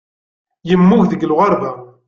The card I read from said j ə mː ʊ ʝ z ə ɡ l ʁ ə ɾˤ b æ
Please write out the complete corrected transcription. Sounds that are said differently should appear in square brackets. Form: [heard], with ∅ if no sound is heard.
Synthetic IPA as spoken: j ə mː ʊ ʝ [ð] ə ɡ l ʁ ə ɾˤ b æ